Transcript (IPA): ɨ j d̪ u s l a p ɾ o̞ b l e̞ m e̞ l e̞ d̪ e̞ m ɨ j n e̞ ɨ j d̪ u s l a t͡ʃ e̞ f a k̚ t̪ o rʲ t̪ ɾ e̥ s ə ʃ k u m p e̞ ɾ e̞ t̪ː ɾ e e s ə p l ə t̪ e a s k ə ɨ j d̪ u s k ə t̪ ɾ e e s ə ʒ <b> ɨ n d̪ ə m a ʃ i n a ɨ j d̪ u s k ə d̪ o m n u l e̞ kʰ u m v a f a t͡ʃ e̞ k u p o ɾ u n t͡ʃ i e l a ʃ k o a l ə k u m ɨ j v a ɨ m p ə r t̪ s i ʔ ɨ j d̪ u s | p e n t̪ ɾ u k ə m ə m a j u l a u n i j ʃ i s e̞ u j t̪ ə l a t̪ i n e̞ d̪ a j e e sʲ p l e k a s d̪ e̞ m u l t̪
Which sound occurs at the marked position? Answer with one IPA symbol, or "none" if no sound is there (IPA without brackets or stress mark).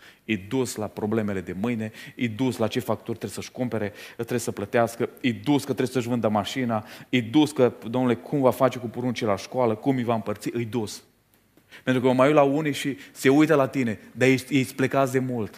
v